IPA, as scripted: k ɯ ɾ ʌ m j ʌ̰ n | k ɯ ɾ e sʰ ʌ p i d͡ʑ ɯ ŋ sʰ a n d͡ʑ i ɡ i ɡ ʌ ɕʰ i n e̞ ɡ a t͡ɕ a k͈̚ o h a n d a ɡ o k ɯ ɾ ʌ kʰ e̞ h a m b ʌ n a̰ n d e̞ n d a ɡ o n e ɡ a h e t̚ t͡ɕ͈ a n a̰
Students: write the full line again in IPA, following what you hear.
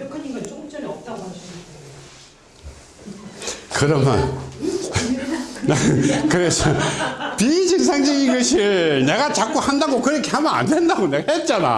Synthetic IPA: k ɯ ɾ ʌ m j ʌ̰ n | k ɯ ɾ e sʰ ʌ p i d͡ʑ ɯ ŋ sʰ a ŋ d͡ʑ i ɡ i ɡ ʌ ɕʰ i n e̞ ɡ a t͡ɕ a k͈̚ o h a n d a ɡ o k ɯ ɾ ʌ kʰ e̞ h a m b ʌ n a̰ n d e̞ n d a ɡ o n e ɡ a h e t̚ t͡ɕ͈ a n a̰